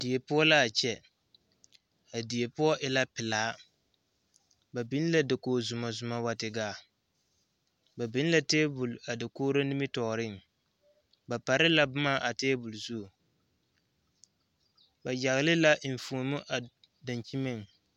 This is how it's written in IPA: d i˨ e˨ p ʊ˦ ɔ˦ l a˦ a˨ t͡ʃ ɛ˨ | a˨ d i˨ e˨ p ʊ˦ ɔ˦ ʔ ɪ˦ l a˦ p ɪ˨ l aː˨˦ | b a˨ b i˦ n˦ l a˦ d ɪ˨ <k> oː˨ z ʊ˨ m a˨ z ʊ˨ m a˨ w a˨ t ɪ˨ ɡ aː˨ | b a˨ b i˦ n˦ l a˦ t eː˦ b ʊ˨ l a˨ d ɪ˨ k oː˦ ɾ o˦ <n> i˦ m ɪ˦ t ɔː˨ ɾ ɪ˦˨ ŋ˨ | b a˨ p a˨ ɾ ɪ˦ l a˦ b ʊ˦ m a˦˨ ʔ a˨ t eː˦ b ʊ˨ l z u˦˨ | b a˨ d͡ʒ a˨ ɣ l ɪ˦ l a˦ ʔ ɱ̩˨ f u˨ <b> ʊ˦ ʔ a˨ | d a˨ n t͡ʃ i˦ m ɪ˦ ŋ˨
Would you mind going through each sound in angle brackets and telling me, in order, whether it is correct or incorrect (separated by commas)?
correct, correct, incorrect